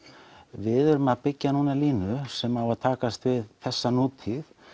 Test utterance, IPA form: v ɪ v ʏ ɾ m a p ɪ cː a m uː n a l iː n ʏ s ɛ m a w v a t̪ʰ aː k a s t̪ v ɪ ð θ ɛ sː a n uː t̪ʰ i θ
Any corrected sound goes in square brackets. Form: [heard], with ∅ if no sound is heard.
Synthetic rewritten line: v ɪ [ð] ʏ ɾ m a p ɪ cː a [n] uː n a l iː n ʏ s ɛ m a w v a t̪ʰ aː k a s t̪ v ɪ ð θ ɛ sː a n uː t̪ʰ i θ